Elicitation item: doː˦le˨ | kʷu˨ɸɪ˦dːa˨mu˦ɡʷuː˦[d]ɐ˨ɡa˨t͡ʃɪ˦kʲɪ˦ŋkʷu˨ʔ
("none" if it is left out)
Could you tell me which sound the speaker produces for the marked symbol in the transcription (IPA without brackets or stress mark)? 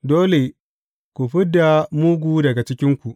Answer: d